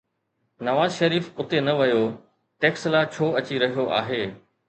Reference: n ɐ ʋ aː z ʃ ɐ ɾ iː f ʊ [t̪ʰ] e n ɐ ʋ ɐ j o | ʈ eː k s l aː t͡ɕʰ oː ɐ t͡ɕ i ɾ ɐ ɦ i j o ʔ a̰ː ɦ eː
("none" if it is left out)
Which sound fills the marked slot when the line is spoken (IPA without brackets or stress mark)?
t̪